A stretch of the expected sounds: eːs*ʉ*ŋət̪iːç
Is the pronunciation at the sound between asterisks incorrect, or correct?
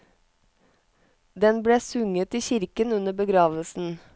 correct